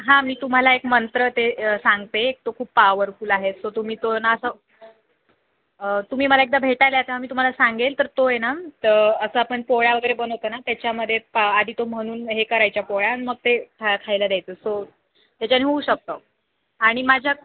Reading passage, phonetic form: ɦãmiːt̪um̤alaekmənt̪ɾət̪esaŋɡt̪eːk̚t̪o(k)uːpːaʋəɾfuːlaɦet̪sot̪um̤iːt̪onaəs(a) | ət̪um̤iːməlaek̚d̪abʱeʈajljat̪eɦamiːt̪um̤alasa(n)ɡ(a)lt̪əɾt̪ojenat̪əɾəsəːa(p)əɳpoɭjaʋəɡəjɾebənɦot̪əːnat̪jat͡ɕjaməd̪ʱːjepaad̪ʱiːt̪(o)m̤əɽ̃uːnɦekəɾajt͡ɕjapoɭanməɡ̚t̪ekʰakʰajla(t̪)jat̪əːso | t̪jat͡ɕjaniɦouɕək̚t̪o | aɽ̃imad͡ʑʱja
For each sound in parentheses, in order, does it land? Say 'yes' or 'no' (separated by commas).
no, no, no, no, yes, yes, no